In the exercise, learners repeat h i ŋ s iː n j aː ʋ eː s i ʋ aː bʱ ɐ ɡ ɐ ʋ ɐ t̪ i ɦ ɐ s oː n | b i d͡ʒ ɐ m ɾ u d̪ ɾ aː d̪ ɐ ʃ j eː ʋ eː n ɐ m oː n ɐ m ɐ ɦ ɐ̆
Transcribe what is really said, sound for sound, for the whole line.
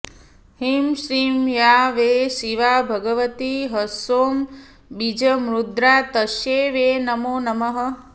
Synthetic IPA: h i m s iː m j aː ʋ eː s i ʋ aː bʱ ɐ ɡ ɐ ʋ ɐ t̪ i ɦ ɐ s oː m | b i d͡ʒ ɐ m ɾ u d̪ ɾ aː t̪ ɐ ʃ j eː ʋ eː n ɐ m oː n ɐ m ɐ ɦ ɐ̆